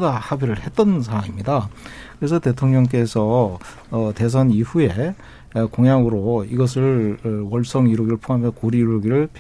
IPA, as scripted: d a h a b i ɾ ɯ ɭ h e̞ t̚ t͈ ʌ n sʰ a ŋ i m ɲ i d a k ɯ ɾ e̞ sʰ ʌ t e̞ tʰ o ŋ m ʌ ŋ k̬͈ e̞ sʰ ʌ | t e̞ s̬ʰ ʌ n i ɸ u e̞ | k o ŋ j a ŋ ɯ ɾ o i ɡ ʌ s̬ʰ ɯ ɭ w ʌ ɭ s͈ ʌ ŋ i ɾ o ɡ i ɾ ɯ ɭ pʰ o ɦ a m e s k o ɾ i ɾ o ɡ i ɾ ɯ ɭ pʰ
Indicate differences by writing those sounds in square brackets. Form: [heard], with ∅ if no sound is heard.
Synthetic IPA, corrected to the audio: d a h a b i ɾ ɯ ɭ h e̞ t̚ t͈ ʌ n sʰ a ŋ i m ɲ i d a k ɯ ɾ e̞ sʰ ʌ t e̞ tʰ o ŋ [ɲ] ʌ ŋ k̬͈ e̞ sʰ ʌ | t e̞ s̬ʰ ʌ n i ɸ u e̞ | k o ŋ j a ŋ ɯ ɾ o i ɡ ʌ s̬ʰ ɯ ɭ w ʌ ɭ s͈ ʌ ŋ i ɾ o ɡ i ɾ ɯ ɭ pʰ o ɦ a m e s k o ɾ i ɾ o ɡ i ɾ ɯ ɭ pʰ